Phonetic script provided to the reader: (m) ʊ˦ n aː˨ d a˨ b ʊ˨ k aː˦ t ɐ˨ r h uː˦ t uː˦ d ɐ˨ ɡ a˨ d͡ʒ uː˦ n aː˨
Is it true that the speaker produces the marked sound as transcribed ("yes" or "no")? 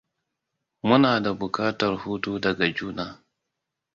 yes